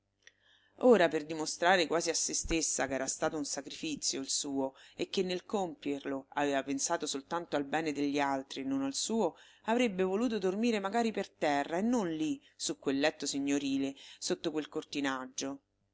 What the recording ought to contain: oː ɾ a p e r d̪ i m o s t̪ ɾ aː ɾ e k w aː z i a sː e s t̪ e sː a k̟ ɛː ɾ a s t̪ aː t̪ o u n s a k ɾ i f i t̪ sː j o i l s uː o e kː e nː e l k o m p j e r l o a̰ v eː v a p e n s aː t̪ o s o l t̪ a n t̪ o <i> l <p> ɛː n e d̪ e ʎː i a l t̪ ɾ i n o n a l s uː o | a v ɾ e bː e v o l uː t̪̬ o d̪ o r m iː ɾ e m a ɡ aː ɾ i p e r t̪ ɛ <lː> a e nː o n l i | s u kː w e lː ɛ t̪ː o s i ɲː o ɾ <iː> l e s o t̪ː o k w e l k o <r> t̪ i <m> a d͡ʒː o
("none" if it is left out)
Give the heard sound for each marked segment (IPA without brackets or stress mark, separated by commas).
a, b, rː, iː, r, n